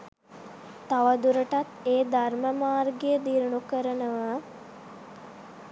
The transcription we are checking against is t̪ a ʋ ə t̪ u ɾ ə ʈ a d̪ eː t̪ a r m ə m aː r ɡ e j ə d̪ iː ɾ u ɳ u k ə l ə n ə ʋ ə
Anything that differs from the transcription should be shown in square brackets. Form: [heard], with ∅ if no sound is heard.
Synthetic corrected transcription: t̪ a ʋ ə [d̪] u ɾ ə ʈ a [t̪] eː [d̪] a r m ə m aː r ɡ e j ə d̪ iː ɾ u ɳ u k ə [ɾ] ə n ə ʋ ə